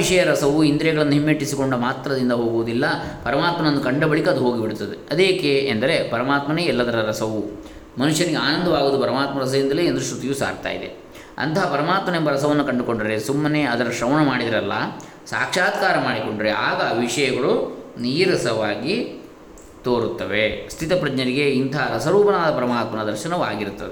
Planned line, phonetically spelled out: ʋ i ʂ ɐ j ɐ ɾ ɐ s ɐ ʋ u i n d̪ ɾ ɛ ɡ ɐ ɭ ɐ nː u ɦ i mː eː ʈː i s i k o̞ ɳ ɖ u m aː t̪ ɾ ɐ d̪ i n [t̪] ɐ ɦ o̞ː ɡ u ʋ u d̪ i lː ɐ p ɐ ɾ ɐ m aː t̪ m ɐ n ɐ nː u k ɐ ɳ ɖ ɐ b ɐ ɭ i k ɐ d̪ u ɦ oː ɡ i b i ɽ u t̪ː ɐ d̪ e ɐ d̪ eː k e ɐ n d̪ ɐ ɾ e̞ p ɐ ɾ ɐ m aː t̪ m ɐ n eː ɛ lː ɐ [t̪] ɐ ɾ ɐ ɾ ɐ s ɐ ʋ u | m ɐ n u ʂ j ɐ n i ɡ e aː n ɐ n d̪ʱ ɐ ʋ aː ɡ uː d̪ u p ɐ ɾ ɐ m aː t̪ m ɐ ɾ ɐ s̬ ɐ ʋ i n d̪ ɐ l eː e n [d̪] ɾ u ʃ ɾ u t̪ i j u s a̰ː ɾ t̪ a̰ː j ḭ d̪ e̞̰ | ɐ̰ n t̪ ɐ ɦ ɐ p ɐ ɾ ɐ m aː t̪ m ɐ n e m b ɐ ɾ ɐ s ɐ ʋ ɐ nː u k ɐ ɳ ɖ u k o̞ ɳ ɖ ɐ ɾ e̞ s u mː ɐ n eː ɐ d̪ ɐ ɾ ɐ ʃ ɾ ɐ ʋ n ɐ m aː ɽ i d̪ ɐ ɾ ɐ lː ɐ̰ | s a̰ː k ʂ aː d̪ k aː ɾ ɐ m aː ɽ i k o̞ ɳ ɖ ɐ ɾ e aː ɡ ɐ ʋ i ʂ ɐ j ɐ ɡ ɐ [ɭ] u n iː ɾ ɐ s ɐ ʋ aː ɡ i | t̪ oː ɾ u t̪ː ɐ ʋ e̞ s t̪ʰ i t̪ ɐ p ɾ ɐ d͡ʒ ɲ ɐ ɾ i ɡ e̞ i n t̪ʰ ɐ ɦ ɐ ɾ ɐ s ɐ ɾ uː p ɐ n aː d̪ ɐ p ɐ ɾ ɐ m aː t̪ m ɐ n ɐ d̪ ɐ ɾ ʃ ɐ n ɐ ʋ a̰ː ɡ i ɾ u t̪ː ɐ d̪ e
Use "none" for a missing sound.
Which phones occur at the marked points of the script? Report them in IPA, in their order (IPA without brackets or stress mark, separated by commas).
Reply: d̪, d̪, d̪, ɭ